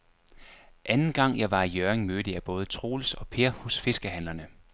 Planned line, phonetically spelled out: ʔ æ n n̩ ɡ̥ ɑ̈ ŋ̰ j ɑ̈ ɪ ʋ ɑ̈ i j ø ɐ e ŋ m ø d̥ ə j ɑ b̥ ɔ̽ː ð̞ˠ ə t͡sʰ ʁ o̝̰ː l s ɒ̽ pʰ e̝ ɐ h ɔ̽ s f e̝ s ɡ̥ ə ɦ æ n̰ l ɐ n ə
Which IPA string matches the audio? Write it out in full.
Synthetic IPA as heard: ʔ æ n n̩ ɡ̥ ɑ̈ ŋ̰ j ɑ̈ ɪ ʋ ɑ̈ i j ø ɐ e ŋ m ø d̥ ə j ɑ b̥ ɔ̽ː ð̞ˠ ə t͡sʰ ʁ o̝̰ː l s ɒ̽ pʰ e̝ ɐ h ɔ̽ s f e̝ s ɡ̥ ə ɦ æ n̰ l ɐ n ə